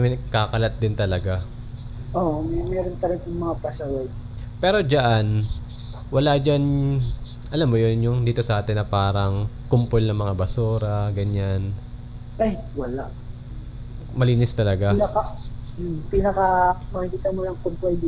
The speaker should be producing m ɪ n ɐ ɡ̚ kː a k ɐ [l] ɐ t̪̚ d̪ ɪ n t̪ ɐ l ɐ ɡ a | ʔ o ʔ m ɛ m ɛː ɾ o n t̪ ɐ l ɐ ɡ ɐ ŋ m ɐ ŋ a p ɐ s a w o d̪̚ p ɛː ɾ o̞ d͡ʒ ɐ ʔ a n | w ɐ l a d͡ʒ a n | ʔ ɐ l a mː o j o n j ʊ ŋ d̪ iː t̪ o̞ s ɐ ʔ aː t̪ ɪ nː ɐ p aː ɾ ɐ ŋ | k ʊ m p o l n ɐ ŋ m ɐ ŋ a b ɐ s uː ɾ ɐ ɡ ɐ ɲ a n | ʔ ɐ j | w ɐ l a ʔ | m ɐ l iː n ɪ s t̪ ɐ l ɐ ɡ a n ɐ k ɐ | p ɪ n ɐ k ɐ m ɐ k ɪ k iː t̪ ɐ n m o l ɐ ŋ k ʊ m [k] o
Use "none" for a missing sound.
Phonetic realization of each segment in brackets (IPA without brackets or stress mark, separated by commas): l, p